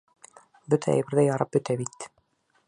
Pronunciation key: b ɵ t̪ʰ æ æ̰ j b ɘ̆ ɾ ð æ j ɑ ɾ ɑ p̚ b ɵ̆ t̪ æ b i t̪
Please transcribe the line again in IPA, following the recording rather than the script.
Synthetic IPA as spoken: b ɵ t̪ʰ æ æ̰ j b ɘ̆ ɾ ð æ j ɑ ɾ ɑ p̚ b ɵ̆ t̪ æ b i t̪